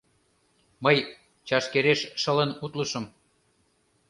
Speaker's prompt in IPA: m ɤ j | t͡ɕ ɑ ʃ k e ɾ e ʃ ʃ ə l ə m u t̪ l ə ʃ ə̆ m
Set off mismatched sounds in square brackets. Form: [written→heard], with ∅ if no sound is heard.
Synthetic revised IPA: m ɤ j | t͡ɕ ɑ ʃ k e ɾ e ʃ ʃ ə l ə [m→n] u t̪ l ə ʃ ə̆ m